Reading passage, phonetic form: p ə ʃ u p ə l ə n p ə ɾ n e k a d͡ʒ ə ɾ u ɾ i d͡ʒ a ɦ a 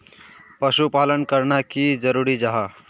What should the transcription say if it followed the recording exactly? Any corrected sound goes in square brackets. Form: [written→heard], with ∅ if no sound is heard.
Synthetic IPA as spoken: p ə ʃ u p [ə→a] l ə n [p→k] ə ɾ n [e→a] k [a→i] d͡ʒ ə ɾ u ɾ i d͡ʒ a ɦ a